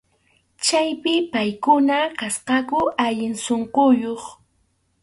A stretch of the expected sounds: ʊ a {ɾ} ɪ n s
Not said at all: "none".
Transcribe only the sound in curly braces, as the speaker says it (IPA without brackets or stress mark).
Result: ʎ